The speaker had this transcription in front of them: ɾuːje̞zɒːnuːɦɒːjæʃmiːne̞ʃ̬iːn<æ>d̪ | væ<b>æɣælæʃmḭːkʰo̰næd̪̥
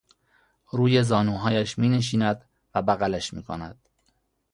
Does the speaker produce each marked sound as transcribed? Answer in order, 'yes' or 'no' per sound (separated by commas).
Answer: yes, yes